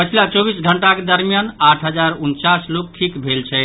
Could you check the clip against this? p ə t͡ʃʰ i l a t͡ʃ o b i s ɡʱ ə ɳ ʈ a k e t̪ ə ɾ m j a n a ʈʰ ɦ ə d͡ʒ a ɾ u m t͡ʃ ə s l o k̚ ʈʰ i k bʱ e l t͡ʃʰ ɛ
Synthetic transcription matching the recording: p ə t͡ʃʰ i l a t͡ʃ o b i s ɡʱ ə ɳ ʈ a k e d̪ ə ɾ m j a n a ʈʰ ɦ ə d͡ʒ a ɾ u n t͡ʃ a s l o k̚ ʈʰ i k bʱ e l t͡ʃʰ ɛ